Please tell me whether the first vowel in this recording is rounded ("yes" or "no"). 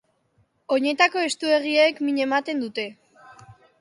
yes